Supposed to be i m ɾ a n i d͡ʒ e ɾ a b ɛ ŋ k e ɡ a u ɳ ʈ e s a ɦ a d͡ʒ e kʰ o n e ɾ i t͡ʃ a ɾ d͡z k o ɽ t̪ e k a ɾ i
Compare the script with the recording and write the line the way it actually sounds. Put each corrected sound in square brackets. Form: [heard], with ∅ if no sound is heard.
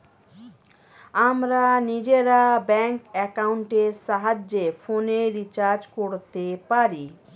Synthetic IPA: [a] m ɾ a n i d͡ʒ e ɾ a b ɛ ŋ k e [k] a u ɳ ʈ e s a ɦ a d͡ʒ e [pʰ] o n e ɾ i t͡ʃ a ɾ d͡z k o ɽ t̪ e [p] a ɾ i